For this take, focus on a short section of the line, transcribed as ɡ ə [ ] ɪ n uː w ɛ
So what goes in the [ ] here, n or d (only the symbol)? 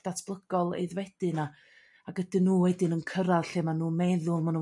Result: d